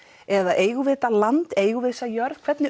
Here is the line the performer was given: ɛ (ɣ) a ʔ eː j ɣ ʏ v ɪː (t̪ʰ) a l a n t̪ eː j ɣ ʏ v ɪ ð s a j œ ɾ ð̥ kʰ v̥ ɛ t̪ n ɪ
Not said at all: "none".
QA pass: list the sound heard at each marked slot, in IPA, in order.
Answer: ð, t̪

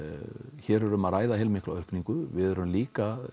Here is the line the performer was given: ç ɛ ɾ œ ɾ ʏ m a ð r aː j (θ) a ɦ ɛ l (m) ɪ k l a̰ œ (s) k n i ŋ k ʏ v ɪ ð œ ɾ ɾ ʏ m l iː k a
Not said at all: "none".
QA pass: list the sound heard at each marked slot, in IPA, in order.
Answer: ð, m, h

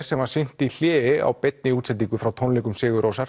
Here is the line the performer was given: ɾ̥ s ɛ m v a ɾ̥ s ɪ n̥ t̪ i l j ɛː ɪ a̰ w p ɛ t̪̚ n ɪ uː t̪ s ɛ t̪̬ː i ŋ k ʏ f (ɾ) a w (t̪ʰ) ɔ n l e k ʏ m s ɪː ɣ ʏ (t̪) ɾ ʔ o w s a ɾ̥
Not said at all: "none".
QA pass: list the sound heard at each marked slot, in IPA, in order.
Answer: ɾ, t̪ʰ, none

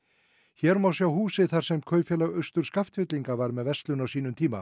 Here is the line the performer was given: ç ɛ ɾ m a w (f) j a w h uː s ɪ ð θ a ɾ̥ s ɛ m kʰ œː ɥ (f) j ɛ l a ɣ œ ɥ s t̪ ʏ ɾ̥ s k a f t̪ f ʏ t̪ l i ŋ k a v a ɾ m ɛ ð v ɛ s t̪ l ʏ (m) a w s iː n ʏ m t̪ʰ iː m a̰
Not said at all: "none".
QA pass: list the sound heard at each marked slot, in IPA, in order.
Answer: s, f, n

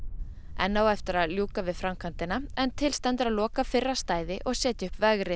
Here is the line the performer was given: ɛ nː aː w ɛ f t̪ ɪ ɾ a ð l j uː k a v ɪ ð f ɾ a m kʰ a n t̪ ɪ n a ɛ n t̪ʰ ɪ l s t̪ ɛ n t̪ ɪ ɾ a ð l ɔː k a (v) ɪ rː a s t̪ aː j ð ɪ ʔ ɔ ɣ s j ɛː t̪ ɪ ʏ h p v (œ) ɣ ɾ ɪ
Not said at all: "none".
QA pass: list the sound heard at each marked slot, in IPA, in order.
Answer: f, ɛ

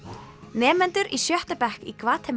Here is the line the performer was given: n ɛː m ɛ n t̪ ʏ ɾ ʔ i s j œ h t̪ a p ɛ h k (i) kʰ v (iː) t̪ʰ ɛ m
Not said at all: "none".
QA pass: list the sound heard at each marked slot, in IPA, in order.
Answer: i, aː

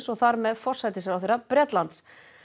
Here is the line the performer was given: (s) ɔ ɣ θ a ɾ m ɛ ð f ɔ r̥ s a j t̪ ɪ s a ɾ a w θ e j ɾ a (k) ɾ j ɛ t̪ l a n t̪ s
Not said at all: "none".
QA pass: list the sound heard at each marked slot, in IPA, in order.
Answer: s, p

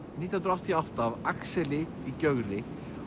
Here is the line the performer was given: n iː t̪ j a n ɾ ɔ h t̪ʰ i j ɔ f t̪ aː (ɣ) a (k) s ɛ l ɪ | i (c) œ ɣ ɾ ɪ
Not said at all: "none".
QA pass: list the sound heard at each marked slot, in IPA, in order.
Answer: v, k, c

